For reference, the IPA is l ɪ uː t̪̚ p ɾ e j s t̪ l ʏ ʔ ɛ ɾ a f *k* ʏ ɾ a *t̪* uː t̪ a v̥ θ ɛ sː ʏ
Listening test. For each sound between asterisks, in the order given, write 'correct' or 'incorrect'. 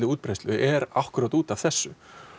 correct, correct

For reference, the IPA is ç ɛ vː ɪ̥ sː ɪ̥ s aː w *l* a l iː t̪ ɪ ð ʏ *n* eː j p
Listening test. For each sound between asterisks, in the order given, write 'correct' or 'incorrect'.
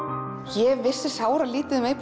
incorrect, incorrect

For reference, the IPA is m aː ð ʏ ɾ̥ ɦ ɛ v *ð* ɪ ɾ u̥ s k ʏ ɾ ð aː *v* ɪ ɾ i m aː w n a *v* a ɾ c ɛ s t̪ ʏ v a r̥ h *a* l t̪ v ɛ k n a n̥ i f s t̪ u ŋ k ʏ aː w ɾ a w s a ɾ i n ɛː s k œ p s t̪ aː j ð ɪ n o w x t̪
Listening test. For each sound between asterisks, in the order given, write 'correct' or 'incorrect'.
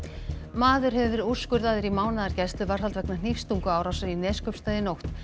incorrect, incorrect, incorrect, correct

